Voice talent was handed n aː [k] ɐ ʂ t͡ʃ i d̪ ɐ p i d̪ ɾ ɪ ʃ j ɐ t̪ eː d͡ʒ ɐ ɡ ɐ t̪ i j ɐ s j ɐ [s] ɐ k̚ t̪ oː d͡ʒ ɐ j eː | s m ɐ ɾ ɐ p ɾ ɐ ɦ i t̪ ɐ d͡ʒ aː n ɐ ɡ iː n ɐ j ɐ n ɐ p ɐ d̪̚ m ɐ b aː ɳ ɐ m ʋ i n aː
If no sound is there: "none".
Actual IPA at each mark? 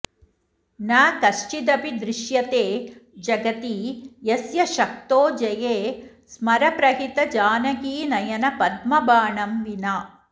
k, ʃ

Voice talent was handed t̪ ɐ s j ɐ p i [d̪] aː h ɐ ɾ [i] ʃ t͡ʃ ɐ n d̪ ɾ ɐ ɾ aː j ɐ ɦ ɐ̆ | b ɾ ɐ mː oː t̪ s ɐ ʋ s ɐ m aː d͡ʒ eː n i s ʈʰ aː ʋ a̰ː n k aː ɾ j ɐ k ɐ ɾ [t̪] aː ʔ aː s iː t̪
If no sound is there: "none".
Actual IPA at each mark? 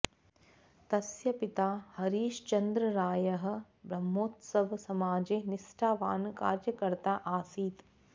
t̪, iː, t̪

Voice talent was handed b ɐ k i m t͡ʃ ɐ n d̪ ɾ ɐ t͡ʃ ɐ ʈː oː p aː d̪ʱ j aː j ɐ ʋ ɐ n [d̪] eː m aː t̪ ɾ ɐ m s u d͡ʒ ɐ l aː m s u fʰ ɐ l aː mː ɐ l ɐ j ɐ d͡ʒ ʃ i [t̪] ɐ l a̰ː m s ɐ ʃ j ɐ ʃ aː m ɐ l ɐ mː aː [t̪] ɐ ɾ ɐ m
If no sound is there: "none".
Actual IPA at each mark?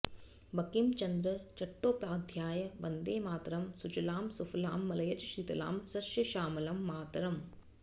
d̪, t̪, t̪

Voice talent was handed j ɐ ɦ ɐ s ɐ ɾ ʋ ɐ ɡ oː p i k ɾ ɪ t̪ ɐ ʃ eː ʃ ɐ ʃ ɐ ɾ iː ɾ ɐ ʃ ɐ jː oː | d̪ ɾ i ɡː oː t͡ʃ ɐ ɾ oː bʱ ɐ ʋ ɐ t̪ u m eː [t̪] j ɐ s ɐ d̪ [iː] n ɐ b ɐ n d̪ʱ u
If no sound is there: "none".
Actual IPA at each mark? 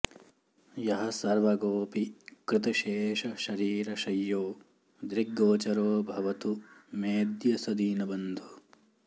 d̪, iː

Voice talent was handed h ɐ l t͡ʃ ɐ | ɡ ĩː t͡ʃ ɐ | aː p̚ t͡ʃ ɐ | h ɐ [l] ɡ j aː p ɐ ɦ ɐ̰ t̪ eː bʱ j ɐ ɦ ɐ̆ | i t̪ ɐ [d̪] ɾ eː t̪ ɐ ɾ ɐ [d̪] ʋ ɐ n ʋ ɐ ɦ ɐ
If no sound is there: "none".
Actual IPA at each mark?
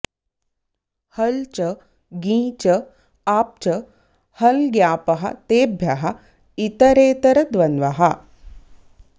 l, none, d̪

